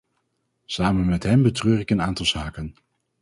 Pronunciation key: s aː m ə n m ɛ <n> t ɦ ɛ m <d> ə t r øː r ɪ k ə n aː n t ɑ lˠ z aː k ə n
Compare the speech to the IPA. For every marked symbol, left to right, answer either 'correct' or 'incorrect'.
incorrect: none, incorrect: b

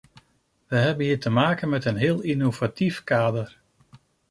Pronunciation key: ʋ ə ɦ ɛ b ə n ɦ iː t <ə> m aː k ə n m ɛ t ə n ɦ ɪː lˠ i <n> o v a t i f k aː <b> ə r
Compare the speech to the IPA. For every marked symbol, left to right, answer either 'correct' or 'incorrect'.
correct, correct, incorrect: d

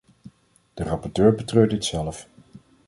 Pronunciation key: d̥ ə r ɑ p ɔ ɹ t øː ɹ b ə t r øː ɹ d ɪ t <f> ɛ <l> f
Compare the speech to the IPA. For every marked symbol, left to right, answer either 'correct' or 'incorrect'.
incorrect: s, correct

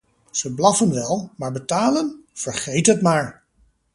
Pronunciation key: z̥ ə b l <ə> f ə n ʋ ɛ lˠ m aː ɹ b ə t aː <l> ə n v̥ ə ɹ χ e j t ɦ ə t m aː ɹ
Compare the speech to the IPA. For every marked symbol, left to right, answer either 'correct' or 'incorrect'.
incorrect: ɑ, correct

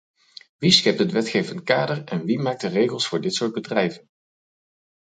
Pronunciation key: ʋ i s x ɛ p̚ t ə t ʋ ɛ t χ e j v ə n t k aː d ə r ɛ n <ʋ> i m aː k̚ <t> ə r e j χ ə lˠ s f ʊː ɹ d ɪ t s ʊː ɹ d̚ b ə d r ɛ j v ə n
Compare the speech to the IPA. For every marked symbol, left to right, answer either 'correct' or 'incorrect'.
correct, incorrect: d

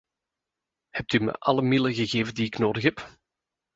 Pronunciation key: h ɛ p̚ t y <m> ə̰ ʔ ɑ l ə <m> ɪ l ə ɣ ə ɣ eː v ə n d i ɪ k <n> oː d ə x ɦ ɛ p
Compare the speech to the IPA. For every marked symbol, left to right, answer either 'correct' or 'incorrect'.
correct, correct, correct

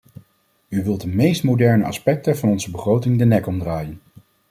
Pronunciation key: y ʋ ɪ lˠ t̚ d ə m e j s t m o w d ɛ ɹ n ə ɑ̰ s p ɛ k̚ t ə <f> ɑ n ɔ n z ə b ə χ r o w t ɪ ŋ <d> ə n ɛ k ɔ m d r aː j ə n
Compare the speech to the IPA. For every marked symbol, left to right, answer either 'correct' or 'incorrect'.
incorrect: v, correct

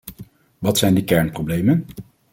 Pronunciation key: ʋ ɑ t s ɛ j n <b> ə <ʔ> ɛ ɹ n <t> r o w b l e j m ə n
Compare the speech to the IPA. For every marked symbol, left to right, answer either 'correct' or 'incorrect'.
incorrect: d, incorrect: k, incorrect: p

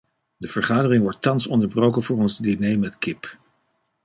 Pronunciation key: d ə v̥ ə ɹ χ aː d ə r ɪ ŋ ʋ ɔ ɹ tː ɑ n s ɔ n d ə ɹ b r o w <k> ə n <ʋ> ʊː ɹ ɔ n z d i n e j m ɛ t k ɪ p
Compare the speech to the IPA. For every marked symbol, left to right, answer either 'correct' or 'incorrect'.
correct, incorrect: v

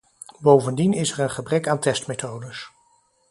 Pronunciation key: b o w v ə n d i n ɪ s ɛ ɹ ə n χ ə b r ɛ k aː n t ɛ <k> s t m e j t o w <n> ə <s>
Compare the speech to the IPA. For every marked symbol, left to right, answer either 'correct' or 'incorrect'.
incorrect: none, incorrect: d, correct

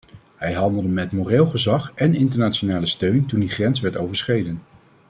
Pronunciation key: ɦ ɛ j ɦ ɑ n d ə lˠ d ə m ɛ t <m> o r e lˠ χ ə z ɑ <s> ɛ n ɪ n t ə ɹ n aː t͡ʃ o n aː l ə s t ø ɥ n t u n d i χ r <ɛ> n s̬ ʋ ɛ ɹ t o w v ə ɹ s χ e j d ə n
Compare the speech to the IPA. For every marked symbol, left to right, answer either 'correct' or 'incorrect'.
correct, incorrect: χ, correct

